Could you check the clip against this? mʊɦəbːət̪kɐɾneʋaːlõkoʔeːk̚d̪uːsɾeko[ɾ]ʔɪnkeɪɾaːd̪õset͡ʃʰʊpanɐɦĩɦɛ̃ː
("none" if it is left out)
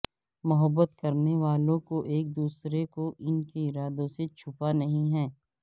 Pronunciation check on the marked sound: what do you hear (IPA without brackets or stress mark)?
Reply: none